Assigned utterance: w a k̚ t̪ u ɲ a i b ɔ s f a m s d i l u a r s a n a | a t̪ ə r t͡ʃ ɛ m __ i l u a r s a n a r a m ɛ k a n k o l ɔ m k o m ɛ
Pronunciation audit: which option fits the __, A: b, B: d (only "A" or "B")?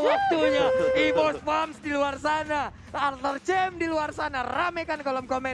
B